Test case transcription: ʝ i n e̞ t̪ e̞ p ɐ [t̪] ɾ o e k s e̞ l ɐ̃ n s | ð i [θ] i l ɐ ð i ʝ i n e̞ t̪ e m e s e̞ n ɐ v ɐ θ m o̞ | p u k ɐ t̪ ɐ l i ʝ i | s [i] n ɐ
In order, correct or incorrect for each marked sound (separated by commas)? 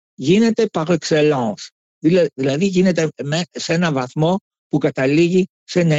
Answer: incorrect, incorrect, incorrect